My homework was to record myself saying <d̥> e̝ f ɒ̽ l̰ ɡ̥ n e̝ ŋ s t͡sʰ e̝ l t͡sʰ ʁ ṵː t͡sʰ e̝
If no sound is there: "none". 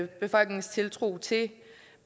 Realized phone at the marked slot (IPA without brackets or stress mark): b̥